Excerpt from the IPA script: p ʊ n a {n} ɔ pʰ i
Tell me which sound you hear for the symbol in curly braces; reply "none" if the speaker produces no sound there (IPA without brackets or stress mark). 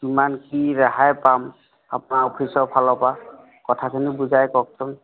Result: none